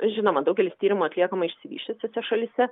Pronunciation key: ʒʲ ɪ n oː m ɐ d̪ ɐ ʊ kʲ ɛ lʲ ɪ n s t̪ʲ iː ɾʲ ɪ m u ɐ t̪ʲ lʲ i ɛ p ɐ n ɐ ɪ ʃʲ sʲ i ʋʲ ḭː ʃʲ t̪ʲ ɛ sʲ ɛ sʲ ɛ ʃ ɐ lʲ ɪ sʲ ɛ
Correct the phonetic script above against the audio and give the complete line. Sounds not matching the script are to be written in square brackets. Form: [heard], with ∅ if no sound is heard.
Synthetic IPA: ʒʲ ɪ n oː m ɐ d̪ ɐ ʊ [ɡʲ] ɛ lʲ ɪ [∅] s t̪ʲ iː ɾʲ ɪ m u ɐ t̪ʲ lʲ i ɛ [k] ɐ [m] ɐ ɪ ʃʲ sʲ [ɪ] ʋʲ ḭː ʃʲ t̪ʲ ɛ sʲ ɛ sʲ ɛ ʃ ɐ lʲ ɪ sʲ ɛ